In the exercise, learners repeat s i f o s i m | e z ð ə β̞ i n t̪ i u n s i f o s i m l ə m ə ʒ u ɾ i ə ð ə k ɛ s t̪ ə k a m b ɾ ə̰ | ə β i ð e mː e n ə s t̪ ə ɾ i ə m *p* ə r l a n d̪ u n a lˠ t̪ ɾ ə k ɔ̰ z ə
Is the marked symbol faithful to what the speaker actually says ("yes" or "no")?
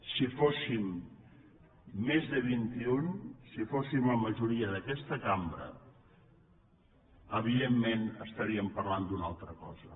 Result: yes